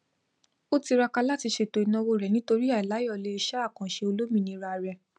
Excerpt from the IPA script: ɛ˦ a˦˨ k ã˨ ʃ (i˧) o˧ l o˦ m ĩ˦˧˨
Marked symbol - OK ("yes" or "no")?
no